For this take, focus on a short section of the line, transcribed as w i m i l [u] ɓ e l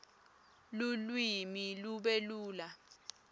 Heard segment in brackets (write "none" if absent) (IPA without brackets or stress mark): u